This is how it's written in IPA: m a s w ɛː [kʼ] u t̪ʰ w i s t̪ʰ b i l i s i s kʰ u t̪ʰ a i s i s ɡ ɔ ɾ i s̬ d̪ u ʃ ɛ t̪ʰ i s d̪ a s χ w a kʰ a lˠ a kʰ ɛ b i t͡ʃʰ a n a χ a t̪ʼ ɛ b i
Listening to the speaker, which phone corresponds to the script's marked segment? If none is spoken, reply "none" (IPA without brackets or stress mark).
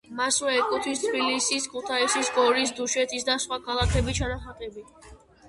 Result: kʼ